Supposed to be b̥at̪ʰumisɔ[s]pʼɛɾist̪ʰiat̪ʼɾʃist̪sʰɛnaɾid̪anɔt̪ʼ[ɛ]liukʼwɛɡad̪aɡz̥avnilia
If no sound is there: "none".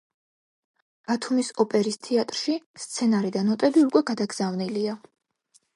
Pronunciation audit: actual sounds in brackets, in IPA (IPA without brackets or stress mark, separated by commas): none, ɛ